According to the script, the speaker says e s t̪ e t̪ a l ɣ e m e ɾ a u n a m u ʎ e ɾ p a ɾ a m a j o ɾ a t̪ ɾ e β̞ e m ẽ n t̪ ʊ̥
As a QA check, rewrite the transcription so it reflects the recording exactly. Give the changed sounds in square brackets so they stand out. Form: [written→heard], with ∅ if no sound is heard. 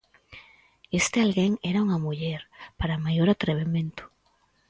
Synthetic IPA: e s t̪ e [t̪→∅] a l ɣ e [m→ŋ] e ɾ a u [n→ŋ] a m u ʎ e ɾ p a ɾ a m a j o ɾ a t̪ ɾ e β̞ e m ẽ n t̪ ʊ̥